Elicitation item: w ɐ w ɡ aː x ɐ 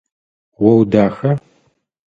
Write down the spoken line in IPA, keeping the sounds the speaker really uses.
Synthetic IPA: w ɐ w d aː x ɐ

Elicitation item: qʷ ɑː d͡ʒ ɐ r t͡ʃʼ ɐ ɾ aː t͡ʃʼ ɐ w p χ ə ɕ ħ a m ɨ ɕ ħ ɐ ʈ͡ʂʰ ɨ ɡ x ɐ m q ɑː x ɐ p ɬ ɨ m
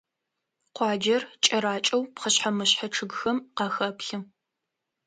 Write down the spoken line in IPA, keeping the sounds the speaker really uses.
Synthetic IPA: qʷ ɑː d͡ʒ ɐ r t͡ʃʼ ɐ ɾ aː t͡ʃʼ ɐ w p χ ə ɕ ħ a m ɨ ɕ ħ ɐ ʈ͡ʂʰ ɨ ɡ x ɐ m q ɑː x ɐ p ɬ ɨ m

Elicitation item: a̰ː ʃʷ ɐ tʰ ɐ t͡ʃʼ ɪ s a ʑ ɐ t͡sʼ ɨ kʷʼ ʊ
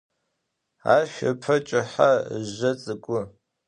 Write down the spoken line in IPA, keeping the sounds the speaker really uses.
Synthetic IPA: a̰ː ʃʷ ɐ pʰ ɐ t͡ʃʼ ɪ ħ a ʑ ɐ t͡sʼ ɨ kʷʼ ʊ

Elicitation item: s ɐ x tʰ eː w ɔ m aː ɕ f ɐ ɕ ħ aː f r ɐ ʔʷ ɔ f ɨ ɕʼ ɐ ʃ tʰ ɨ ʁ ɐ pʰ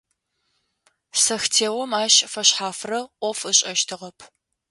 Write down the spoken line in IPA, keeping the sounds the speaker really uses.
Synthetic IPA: s ɐ x tʰ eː w ɔ m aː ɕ f ɐ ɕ ħ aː f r ɐ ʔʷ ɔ f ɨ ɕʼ ɐ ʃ tʰ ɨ ʁ ɐ pʰ

